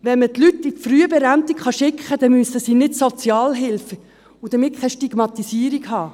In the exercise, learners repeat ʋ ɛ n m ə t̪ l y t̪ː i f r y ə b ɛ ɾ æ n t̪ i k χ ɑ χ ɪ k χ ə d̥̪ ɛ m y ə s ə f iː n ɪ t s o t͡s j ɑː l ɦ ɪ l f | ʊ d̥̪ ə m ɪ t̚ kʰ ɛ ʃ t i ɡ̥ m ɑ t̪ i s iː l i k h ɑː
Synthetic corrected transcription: ʋ ɛ n m ə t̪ l y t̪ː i f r y ə b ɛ ɾ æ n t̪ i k χ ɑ ʃ ɪ k χ ə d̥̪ ɛ m y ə s ə s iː n ɪ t s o t͡s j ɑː l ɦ ɪ l f | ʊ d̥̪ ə m ɪ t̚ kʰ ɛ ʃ t i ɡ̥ m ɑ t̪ i s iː ɾ i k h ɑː

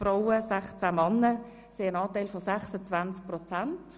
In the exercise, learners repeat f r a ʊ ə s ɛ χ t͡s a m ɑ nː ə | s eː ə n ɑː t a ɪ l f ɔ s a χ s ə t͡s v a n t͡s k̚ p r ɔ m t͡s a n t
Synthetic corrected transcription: f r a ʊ ə s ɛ χ t͡s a m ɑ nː ə | s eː ə n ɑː t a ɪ l f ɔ s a χ s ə t͡s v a n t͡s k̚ p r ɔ t͡s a n t

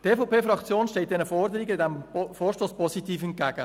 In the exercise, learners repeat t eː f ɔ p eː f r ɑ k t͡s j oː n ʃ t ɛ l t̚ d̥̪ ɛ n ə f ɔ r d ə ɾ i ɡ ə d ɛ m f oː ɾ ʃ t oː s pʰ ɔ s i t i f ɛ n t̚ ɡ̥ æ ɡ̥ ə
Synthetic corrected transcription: t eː f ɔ p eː f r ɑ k t͡s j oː n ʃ t ɛ l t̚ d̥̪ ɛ n ə f ɔ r d ə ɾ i ɡ ə d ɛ m f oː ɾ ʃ t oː s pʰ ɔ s i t iː f ɛ n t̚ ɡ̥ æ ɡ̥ ə

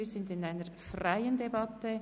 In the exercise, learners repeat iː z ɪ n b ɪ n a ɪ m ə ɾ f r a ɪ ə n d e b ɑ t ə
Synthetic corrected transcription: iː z ɪ n d ɪ n a ɪ n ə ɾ f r a ɪ ə n d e b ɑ t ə

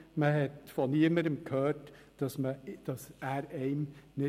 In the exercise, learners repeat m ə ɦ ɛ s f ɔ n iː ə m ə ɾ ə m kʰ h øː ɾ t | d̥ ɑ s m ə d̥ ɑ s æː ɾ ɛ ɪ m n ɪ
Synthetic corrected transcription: m ə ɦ ɛ t f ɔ n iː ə m ə ɾ ə m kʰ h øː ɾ t | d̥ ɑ s m ə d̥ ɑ s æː ɾ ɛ ɪ m n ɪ

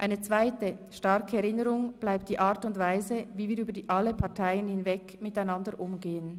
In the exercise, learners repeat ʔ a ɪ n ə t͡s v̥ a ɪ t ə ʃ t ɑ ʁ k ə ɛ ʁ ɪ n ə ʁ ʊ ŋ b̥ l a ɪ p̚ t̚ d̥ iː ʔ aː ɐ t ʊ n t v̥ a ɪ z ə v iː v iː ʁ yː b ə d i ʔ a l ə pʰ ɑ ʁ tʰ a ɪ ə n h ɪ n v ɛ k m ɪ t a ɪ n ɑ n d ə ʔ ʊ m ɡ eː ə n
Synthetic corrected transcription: ʔ a ɪ n ə t͡s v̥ a ɪ t ə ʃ t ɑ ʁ k ə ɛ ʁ ɪ n ə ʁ ʊ ŋ b̥ l a ɪ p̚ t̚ d̥ iː ʔ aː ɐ t ʊ n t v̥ a ɪ z ə v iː v iː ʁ yː b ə d i ʔ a l ə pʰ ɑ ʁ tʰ a ɪ ə n h ɪ n v ɛ k m ɪ t a ɪ n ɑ n d ə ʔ ʊ m ɡ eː ə n

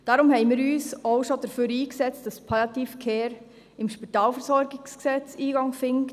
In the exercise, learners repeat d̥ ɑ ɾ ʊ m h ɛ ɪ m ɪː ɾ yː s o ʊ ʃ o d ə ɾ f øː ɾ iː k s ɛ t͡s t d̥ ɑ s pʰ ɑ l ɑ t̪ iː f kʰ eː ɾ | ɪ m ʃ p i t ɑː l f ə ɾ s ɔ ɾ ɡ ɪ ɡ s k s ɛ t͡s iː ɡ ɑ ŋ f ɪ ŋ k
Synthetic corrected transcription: d̥ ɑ ɾ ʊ m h ɛ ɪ m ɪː ɾ yː s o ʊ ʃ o d ə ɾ f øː ɾ iː k s ɛ t͡s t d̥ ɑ s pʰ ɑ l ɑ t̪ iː f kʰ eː ɾ | ɪ m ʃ p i t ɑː l f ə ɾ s ɔ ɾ ɡ ɪ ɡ s k s ɛ t͡s iː ɡ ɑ ŋ f ɪ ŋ k

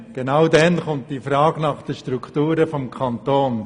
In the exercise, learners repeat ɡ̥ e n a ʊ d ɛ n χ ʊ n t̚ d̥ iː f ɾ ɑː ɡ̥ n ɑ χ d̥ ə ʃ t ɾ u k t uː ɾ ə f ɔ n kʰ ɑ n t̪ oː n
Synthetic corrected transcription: ɡ̥ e n a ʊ d ɛ n χ ʊ n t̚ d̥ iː f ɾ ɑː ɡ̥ n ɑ χ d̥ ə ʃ t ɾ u k t uː ɾ ə f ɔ m kʰ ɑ n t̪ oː n

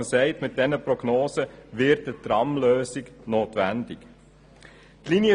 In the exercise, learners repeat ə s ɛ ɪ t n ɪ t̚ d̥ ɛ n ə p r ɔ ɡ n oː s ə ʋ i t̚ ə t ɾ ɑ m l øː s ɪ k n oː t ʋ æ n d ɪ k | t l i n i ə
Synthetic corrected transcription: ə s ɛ ɪ t m ɪ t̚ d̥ ɛ n ə p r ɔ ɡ n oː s ə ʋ ɪ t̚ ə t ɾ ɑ m l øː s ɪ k n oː t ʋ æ n d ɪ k | t l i n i ə

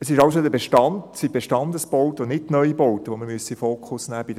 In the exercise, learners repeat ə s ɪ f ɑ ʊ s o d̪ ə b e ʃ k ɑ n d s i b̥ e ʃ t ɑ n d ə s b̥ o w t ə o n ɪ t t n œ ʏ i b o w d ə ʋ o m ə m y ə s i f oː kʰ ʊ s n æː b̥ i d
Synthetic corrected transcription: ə s ɪ ʃ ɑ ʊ s o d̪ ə b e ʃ t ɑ n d s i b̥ e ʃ t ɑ n d ə s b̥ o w t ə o n ɪ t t n œ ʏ i b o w t ə ʋ o m ə m y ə s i f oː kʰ ʊ s n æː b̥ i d

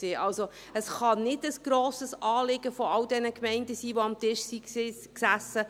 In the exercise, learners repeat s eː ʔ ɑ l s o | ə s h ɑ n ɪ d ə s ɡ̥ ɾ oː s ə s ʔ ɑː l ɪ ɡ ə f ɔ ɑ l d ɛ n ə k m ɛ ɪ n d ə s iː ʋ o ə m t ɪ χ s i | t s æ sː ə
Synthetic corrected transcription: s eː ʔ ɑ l s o | ə s χ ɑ n ɪ d ə s ɡ̥ ɾ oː s ə s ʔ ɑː l ɪ ɡ ə f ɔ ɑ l d ɛ n ə k m ɛ ɪ n d ə s iː ʋ o ɑ m t ɪ ʃ s i | k s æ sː ə

